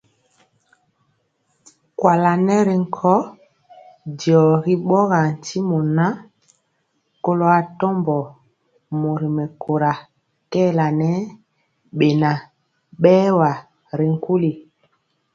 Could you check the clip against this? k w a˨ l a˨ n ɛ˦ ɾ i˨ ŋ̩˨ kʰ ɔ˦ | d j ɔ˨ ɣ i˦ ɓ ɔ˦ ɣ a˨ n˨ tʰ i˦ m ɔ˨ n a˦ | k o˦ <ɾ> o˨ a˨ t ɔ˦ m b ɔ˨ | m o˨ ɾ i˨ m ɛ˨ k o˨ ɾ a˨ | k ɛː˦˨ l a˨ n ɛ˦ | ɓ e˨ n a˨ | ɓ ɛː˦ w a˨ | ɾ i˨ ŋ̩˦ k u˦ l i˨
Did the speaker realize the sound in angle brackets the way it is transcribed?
no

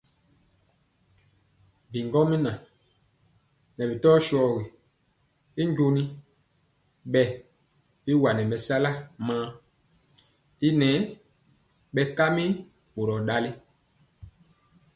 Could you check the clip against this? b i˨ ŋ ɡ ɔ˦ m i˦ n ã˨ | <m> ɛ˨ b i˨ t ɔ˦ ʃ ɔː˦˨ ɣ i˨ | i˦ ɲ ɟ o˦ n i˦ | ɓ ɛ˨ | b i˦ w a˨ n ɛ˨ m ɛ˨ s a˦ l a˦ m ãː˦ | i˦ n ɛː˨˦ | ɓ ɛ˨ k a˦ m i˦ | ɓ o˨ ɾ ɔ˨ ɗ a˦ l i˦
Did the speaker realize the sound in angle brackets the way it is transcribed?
no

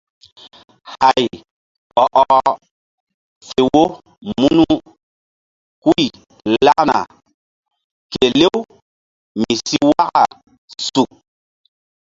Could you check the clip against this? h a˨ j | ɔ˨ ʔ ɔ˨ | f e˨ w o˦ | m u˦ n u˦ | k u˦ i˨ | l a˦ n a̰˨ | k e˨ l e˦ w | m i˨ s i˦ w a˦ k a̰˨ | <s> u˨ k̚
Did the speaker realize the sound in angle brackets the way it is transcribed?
yes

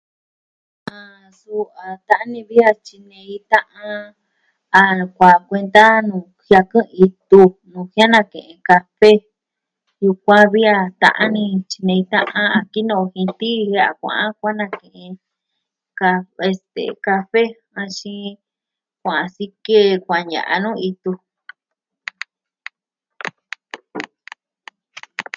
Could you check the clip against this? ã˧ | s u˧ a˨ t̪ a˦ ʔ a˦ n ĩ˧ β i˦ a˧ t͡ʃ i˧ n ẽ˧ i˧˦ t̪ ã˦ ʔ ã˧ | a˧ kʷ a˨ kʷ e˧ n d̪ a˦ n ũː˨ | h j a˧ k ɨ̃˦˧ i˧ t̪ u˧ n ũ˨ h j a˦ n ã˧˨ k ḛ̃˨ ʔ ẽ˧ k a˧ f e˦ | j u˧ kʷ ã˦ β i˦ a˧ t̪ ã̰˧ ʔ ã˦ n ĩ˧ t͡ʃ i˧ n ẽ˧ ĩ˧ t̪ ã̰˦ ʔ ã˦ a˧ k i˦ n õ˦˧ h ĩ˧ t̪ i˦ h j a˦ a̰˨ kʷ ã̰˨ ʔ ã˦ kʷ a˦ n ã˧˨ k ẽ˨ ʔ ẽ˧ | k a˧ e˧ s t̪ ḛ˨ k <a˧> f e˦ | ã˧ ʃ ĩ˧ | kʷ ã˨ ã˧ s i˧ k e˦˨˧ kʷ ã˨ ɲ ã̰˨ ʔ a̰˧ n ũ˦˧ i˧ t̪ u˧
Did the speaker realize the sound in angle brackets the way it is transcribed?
yes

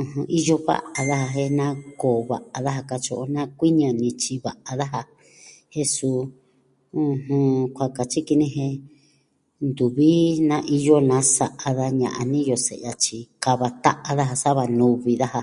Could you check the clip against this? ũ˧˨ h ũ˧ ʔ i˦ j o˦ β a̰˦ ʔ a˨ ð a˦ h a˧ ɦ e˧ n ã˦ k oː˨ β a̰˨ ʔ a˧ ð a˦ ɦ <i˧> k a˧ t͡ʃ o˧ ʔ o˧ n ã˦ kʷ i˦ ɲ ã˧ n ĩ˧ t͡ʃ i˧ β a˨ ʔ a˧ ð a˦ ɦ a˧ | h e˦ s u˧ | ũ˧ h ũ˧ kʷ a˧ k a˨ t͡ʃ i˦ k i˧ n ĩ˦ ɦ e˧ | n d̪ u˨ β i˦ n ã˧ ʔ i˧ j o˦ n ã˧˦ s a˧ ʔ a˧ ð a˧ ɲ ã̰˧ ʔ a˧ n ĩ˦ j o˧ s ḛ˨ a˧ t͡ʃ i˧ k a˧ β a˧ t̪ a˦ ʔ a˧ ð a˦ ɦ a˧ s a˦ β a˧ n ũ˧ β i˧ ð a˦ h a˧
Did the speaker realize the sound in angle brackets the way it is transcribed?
no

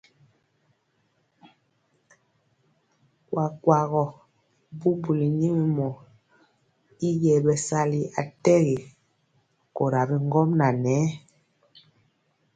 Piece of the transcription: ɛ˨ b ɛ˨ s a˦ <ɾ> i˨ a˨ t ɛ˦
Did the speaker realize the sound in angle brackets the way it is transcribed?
no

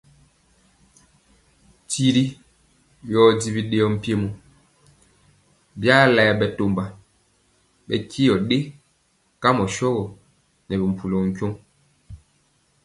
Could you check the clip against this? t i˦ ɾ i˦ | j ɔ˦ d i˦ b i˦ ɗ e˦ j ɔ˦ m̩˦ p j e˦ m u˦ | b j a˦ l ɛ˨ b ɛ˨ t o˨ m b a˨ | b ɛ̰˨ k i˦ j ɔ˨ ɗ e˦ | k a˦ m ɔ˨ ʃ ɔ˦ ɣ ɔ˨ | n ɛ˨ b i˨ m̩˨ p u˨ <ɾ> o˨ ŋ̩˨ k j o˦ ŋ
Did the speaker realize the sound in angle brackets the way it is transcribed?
no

